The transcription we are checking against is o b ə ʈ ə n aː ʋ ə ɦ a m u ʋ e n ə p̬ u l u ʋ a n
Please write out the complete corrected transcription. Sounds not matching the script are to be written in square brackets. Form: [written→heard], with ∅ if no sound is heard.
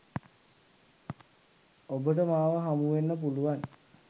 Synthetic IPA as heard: o b ə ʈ ə [n→m] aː ʋ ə ɦ a m u ʋ e [n→nː] ə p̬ u l u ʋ a n